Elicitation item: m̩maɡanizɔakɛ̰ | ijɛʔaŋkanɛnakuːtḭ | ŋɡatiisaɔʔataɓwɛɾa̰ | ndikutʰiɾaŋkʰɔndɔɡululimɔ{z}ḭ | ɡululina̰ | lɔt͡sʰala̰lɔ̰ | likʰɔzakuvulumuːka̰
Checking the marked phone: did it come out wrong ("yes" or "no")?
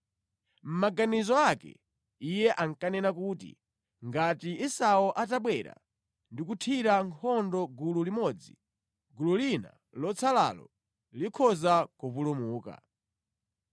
yes